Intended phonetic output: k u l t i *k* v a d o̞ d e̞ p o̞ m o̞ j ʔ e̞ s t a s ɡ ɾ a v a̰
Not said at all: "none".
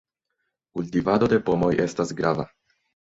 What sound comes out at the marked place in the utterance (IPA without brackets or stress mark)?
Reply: none